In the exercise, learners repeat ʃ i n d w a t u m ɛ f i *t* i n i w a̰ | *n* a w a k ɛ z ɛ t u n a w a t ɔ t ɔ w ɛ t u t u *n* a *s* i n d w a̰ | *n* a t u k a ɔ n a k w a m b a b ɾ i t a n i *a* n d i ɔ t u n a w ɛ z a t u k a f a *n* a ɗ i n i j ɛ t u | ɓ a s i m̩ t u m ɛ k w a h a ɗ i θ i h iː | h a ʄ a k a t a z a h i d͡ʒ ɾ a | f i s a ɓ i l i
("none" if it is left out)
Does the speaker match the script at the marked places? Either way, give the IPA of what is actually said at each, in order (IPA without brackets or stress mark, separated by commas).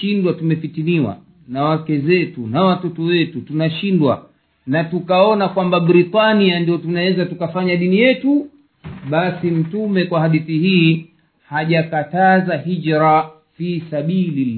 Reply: t, n, n, ʃ, n, a, ɲ